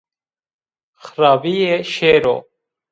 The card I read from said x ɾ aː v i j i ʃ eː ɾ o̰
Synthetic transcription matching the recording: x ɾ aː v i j e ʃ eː ɾ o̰